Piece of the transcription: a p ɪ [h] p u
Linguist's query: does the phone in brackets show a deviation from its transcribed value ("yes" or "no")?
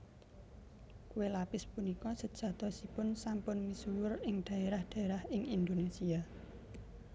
yes